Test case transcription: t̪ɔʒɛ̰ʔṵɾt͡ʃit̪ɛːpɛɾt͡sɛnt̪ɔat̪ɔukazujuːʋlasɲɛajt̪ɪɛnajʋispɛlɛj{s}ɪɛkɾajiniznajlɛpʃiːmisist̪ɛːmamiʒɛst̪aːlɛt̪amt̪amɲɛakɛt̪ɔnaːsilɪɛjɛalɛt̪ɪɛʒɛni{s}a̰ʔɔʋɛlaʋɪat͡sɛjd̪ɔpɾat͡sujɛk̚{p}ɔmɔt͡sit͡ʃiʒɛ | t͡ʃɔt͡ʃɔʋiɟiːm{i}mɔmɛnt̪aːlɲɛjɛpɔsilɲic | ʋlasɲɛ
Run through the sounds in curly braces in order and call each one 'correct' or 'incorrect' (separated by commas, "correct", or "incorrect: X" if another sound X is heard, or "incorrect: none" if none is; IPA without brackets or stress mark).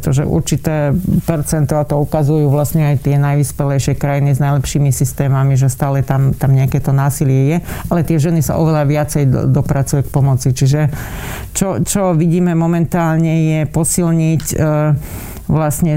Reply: incorrect: ʃ, correct, correct, incorrect: ɛ